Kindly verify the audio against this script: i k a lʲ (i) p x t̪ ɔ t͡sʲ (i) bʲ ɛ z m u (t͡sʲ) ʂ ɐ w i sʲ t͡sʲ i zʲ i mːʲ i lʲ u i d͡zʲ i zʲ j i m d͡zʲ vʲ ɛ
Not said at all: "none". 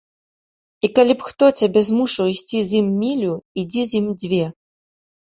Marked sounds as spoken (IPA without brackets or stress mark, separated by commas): i, a, none